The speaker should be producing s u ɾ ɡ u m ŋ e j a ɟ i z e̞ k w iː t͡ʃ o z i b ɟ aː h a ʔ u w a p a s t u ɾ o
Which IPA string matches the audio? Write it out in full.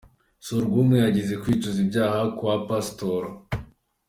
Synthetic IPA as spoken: s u ɾ ɡ u m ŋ e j a ɟ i z e̞ k w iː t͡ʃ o z i b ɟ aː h a k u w a p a s t o ɾ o